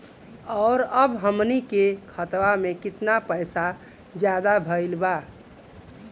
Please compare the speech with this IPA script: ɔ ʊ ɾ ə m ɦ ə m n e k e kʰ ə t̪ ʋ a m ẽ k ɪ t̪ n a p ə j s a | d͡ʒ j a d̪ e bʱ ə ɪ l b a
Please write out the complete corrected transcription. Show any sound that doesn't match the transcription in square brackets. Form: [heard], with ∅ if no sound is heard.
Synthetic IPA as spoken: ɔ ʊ ɾ ə [b] ɦ ə m n [i] k e kʰ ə t̪ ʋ a m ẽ k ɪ t̪ n a p ə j s a | d͡ʒ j a d̪ [a] bʱ ə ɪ l b a